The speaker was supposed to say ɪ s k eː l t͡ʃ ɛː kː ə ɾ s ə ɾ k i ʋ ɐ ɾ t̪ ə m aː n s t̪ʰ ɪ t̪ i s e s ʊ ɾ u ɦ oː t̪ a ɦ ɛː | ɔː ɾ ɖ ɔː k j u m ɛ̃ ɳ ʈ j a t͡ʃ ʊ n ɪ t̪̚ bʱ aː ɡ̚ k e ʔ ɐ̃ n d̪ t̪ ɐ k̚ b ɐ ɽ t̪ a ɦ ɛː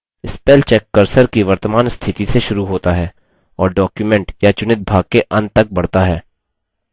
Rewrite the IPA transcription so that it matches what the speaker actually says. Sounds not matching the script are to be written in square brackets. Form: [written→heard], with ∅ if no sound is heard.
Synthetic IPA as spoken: ɪ s [k→p] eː l t͡ʃ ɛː kː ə ɾ s ə ɾ k i ʋ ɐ ɾ t̪ ə m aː n s t̪ʰ ɪ t̪ i s e [s→ʃ] ʊ ɾ u ɦ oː t̪ a ɦ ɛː | ɔː ɾ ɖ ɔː k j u m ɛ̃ ɳ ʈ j a t͡ʃ ʊ n ɪ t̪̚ bʱ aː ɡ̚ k e ʔ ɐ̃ n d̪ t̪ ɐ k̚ b ɐ ɽ t̪ a ɦ ɛː